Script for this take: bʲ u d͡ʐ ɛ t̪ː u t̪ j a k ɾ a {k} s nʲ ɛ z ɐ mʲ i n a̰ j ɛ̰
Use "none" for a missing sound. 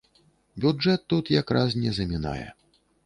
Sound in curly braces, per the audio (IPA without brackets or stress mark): none